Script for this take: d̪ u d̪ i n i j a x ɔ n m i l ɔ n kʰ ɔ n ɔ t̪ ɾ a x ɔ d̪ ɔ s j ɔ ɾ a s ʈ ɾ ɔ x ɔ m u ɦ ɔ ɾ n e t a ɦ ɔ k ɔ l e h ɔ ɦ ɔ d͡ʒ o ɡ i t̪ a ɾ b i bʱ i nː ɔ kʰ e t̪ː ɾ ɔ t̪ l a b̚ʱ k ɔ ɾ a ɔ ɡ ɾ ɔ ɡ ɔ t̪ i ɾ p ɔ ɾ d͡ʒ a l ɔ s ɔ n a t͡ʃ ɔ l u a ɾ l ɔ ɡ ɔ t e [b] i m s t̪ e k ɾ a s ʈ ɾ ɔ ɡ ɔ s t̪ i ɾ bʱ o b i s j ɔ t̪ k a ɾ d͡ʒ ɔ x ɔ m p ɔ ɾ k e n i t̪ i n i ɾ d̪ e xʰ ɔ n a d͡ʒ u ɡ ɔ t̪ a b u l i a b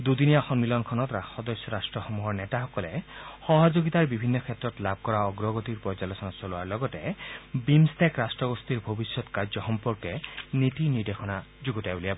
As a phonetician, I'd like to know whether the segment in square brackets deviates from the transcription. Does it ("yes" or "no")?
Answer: no